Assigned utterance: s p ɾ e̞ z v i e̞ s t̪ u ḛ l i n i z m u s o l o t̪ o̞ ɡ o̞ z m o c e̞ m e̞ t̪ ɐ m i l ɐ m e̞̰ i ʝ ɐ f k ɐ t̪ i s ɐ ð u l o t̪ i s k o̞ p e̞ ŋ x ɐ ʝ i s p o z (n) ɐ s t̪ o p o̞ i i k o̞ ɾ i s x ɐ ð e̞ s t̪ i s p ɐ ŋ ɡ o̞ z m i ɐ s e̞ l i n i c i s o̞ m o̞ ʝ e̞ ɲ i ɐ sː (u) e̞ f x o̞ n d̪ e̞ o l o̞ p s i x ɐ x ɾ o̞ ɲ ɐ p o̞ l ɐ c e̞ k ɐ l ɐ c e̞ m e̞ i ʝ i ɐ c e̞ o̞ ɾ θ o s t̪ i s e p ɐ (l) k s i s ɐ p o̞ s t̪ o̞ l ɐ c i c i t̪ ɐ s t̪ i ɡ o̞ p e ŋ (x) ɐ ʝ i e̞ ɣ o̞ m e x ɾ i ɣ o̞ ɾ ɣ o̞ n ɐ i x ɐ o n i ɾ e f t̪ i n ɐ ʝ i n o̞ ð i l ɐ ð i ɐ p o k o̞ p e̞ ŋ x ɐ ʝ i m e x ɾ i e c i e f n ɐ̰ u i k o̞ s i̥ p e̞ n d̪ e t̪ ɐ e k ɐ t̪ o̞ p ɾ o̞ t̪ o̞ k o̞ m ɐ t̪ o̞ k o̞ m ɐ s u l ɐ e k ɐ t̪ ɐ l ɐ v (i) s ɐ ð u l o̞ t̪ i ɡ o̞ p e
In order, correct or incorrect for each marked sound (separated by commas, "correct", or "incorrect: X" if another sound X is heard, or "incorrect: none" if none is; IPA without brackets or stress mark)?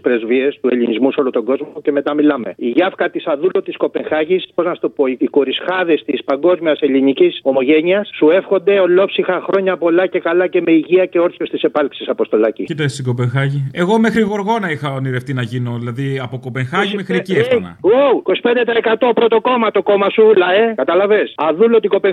correct, correct, correct, correct, incorrect: e